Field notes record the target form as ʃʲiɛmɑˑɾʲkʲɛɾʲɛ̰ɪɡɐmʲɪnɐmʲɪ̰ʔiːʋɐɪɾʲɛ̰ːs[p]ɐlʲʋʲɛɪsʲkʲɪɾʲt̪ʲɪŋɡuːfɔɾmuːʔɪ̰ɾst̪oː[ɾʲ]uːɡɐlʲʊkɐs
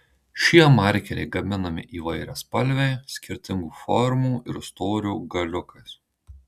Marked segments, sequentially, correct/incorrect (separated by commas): correct, correct